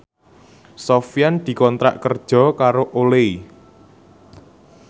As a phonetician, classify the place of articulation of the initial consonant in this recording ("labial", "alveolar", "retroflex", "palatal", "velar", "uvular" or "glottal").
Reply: alveolar